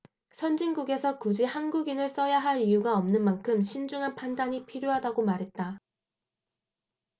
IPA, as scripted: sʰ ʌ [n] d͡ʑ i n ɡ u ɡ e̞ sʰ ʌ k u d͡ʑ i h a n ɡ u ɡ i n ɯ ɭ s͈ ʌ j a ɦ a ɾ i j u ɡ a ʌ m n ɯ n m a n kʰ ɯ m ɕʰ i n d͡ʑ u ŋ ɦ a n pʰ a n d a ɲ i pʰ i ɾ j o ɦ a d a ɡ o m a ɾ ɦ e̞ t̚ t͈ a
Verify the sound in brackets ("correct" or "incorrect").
correct